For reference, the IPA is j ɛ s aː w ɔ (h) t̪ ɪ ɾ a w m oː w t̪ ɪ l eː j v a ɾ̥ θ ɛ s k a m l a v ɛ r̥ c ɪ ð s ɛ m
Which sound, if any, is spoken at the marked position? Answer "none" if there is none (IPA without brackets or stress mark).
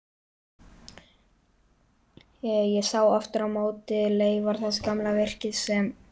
f